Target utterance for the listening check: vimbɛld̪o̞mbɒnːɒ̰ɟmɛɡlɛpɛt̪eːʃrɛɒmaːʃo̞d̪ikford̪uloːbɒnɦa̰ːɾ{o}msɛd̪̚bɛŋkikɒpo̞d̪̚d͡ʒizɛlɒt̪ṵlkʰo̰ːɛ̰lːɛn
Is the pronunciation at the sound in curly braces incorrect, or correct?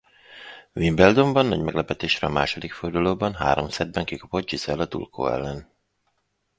correct